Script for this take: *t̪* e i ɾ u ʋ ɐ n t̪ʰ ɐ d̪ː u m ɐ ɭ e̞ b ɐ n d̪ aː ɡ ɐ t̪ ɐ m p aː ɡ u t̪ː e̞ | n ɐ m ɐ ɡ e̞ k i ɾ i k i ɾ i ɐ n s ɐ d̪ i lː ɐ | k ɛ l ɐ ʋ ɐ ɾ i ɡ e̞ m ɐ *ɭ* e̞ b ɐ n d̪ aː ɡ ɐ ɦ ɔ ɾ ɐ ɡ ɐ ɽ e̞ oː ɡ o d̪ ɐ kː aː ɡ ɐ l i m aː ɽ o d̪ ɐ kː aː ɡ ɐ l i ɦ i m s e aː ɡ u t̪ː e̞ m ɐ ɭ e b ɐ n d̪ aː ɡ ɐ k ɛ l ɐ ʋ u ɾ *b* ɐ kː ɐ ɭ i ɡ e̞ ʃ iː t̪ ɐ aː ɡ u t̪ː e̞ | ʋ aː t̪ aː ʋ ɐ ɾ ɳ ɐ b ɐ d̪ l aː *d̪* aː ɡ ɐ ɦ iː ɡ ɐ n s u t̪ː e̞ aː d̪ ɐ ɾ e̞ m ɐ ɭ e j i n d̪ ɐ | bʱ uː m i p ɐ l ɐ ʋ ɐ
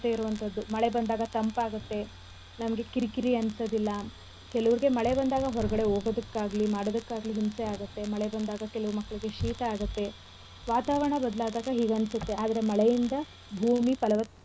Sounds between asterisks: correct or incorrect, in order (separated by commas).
correct, correct, incorrect, correct